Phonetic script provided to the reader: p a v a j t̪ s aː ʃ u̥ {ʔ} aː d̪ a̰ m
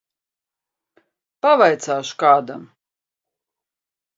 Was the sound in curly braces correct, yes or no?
no